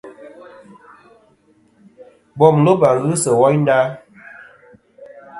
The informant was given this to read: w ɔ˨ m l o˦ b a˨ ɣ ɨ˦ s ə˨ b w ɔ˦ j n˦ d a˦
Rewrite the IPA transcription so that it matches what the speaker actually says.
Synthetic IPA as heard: b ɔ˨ m l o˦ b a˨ ɣ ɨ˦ s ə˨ w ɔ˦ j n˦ d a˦